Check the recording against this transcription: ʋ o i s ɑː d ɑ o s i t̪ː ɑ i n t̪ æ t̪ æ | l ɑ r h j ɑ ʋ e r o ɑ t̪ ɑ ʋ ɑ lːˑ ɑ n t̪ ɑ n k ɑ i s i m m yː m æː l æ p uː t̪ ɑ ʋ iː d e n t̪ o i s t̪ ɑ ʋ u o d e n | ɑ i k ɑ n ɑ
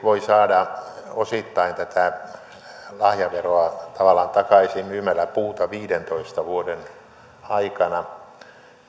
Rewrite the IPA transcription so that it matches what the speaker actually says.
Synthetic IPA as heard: ʋ o i s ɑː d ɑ o s i t̪ː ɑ i n t̪ æ t̪ æ | l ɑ h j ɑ ʋ e r o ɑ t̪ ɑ ʋ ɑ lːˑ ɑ n t̪ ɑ k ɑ i s i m m yː m æ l æ p uː t̪ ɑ ʋ iː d e n t̪ o i s t̪ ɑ ʋ u o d e n | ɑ i k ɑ n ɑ